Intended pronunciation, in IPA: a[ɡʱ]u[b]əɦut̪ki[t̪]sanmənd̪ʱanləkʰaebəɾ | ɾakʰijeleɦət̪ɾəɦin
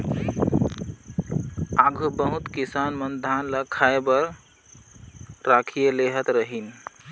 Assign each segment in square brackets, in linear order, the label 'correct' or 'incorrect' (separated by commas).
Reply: correct, correct, incorrect